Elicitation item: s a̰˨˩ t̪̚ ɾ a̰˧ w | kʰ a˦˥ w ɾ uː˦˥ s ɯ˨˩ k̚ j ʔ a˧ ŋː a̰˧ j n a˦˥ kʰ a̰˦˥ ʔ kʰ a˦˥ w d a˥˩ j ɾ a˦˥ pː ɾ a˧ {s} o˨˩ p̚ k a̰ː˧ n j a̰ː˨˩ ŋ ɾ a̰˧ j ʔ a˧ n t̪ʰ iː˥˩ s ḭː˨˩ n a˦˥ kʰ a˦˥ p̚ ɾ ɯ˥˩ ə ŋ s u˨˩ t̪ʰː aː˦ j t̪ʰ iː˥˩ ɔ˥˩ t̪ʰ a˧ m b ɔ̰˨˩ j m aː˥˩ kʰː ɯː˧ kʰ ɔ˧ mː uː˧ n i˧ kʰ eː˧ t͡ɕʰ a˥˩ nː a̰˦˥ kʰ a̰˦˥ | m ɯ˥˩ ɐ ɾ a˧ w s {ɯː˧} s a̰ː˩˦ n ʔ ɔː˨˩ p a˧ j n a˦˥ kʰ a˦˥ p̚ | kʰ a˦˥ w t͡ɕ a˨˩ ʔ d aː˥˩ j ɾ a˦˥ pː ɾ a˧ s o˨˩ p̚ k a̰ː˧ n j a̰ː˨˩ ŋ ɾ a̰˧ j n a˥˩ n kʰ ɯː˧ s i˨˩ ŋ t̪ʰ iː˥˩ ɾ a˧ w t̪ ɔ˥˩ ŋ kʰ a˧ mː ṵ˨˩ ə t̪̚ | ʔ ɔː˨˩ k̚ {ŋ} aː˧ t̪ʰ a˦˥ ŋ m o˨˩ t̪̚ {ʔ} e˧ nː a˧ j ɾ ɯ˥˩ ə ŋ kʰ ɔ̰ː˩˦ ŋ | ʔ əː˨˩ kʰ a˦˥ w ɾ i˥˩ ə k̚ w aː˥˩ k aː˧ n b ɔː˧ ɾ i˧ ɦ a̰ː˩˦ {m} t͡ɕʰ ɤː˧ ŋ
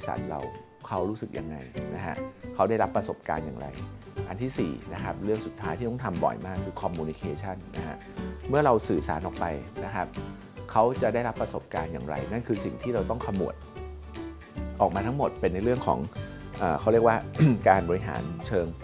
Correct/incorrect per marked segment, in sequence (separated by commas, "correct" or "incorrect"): correct, incorrect, incorrect, incorrect, incorrect